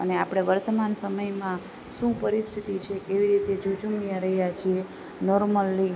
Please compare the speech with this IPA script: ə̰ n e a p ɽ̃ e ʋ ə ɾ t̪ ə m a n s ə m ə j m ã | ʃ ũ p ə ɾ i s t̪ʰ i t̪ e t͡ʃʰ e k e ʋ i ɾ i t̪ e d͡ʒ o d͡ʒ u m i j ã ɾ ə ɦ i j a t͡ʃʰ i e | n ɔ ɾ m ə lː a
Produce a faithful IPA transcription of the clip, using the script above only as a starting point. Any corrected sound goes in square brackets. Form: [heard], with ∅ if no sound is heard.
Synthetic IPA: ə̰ n e a p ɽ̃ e ʋ ə ɾ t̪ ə m a n s ə m ə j m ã | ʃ ũ p ə ɾ i s t̪ʰ i t̪ [i] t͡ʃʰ e k e ʋ i ɾ i t̪ e d͡ʒ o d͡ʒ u m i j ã ɾ ə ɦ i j a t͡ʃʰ i e | n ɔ ɾ m ə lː [i]